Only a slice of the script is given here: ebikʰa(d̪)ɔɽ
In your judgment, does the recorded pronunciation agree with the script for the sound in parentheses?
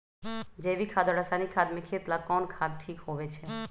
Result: yes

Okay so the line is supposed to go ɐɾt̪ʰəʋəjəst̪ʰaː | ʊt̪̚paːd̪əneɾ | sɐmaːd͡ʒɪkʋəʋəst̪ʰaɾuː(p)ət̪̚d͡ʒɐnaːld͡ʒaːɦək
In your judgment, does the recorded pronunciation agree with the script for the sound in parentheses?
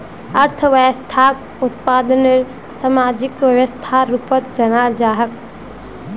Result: yes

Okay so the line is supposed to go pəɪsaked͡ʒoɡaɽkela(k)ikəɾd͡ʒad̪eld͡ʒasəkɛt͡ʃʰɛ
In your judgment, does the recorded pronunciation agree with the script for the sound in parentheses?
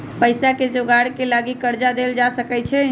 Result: no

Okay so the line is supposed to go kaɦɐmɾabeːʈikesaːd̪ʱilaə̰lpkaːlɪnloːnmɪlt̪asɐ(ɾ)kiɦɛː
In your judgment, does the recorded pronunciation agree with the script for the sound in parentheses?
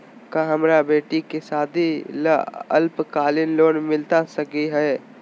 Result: no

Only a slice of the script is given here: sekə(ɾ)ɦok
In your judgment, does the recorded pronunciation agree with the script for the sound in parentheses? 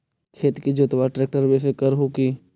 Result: yes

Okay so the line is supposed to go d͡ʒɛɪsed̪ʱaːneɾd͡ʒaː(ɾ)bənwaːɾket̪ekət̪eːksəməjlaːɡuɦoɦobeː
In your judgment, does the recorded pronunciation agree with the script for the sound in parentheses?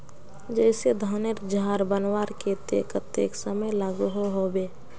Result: yes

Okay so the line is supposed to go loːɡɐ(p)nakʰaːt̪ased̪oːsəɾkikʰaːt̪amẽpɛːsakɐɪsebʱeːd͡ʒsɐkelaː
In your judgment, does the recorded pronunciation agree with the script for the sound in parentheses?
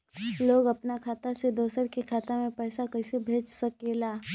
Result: yes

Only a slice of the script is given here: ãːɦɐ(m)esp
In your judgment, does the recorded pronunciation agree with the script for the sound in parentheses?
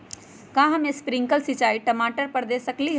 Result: yes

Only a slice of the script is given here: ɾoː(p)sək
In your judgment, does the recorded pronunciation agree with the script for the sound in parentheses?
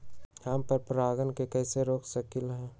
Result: no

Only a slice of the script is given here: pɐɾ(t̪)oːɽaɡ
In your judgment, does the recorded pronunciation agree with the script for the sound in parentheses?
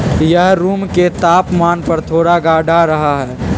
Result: no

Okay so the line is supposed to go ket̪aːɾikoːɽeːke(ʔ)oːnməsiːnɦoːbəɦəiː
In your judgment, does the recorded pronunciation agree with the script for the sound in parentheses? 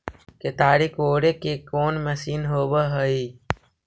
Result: no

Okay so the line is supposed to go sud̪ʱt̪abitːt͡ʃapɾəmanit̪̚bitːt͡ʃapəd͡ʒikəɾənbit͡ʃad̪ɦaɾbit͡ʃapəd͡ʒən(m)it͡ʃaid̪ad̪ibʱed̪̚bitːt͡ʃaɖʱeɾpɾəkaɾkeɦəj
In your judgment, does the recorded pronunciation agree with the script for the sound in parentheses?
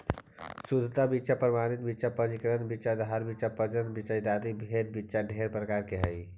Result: no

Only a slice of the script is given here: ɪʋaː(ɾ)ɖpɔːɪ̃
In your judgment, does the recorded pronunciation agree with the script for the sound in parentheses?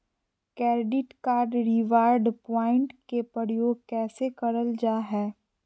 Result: yes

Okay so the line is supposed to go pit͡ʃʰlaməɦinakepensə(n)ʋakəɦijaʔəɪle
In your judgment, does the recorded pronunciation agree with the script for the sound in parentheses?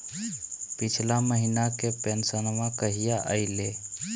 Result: yes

